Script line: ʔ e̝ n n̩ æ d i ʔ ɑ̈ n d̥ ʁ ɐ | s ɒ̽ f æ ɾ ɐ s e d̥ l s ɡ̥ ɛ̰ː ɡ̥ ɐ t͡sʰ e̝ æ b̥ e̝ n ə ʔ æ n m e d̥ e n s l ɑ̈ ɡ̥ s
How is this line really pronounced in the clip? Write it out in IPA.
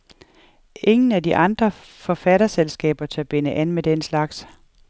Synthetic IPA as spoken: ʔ e̝ ŋ n̩ æ d i ʔ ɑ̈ n d̥ ʁ ɐ | f ɒ̽ f æ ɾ ɐ s e l s ɡ̥ ɛ̰ː b̥ ɐ t͡sʰ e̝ æ b̥ e̝ n ə ʔ æ n m e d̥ e n s l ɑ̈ ɡ̥ s